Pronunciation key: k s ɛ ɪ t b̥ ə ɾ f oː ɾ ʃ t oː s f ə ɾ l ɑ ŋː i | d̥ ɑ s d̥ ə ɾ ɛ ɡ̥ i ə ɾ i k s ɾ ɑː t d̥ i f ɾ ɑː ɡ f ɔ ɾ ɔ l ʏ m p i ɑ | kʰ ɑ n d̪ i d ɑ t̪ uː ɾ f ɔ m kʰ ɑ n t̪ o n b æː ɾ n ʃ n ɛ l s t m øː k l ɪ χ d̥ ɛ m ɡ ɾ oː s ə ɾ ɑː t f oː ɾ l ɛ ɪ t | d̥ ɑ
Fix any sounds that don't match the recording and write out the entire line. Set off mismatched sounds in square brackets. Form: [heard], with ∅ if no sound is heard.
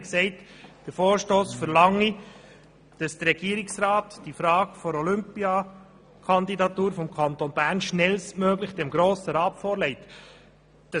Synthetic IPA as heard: k s ɛ ɪ t [d̥] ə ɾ f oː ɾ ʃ t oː s f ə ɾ l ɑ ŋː i | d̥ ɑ s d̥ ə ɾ ɛ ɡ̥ i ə ɾ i k s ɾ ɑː t d̥ i f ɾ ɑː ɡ f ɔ ɾ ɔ l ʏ m p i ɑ | kʰ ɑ n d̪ i d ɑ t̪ uː ɾ f ɔ m kʰ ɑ n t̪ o n b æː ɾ n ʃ n ɛ l s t m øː [ɡ] l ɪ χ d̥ ɛ m ɡ ɾ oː s ə ɾ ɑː t f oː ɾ l ɛ ɪ t | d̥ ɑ

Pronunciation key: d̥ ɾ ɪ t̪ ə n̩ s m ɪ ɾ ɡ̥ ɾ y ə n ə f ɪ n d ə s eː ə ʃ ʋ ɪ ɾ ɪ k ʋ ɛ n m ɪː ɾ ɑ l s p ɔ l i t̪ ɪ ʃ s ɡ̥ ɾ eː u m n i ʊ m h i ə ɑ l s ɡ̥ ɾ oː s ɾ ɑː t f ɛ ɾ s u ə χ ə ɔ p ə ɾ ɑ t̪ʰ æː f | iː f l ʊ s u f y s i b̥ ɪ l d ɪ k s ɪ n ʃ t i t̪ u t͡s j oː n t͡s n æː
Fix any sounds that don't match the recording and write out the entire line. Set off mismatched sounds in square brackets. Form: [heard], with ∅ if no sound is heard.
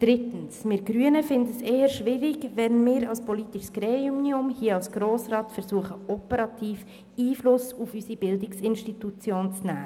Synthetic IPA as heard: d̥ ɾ ɪ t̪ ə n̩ s m ɪ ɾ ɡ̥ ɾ y ə n ə f ɪ n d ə s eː ə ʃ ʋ ɪ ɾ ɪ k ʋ ɛ n m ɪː ɾ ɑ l s p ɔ l i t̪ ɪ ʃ s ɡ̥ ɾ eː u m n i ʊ m h i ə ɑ l s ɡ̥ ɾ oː s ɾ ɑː t f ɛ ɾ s u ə χ ə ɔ p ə ɾ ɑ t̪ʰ [iː] f | iː f l ʊ s u f y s i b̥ ɪ l d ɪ k s ɪ n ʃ t i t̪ u t͡s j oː n t͡s n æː

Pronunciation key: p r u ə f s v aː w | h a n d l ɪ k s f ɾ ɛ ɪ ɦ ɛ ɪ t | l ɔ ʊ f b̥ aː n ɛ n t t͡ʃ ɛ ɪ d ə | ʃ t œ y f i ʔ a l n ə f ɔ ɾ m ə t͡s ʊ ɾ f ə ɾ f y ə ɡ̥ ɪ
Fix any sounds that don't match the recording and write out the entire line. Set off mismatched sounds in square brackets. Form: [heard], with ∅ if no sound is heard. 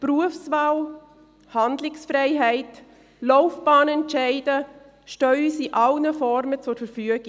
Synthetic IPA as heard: p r u ə f s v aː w | h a n d l ɪ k s f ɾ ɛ ɪ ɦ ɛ ɪ t | l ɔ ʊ f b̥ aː n ɛ n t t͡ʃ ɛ ɪ d ə | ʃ t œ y [s] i ʔ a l n ə f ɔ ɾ m ə t͡s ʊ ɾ f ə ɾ f y ə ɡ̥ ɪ

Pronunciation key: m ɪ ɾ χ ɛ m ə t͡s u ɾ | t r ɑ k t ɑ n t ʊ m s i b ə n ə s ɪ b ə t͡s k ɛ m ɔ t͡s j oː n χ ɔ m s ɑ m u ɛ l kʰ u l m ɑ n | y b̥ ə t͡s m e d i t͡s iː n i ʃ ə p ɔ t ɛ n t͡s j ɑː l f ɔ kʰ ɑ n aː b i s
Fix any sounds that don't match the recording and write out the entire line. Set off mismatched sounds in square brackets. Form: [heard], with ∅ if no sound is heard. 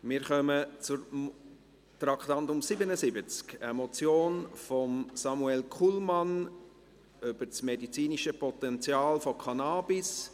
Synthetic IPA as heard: m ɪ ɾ χ [œ] m ə t͡s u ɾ | t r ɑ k t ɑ n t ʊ m s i b ə n ə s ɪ b ə t͡s k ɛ m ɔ t͡s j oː n [f] ɔ m s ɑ m u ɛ l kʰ u l m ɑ n | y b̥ ə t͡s m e d i t͡s iː n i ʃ ə p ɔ t ɛ n t͡s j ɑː l f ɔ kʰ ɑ n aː b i s

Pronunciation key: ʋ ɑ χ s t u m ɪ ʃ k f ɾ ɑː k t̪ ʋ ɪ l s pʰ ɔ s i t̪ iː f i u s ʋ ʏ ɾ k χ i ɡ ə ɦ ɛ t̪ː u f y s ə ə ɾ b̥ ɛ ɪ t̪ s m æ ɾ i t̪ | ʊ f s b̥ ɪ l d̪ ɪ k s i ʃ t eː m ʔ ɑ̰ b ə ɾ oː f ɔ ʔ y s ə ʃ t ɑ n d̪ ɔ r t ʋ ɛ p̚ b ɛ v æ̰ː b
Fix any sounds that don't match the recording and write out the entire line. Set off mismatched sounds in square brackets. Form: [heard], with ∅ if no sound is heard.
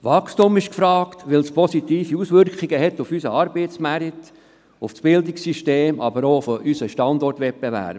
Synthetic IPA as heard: ʋ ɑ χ s t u m ɪ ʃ k f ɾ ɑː k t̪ ʋ ɪ l s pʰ ɔ s i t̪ iː f i u s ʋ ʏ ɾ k χ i ɡ ə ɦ ɛ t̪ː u f y s ə [ɑ] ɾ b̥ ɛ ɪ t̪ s m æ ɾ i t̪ | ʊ f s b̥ ɪ l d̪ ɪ k s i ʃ t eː m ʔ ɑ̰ b ə ɾ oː f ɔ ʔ y s ə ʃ t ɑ n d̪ ɔ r t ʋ ɛ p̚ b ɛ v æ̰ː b

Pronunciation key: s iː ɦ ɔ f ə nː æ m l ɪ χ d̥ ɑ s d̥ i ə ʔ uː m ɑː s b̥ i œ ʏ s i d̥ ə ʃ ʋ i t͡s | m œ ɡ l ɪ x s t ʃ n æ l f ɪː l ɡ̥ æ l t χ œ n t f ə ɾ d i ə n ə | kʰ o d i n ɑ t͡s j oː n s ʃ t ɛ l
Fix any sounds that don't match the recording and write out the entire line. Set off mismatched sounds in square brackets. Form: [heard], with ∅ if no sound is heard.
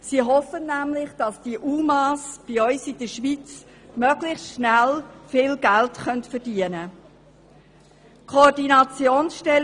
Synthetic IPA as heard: s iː ɦ ɔ f ə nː æ m l ɪ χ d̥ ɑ s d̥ i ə ʔ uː m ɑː s b̥ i œ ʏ s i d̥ ə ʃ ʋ i t͡s | m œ ɡ l ɪ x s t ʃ n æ l f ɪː l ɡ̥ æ l t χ œ n t f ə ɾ d i ə n ə | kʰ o d i n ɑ t͡s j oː n s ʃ t ɛ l

